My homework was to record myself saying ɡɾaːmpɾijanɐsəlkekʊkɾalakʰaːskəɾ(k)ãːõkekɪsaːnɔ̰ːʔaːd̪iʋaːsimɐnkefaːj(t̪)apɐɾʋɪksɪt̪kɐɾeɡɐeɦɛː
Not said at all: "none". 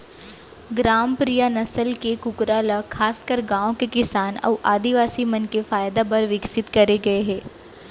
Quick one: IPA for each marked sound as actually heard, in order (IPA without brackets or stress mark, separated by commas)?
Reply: ɡ, d̪